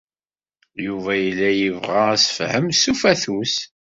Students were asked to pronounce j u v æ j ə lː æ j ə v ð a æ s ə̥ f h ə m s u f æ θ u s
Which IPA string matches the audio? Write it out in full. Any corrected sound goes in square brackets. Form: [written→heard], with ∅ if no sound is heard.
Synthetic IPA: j u v æ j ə lː æ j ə v [ð→ʁ] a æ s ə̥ f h ə m s u f æ θ u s